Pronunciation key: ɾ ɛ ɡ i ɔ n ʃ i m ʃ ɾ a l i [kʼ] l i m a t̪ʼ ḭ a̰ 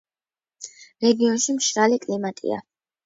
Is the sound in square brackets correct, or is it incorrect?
correct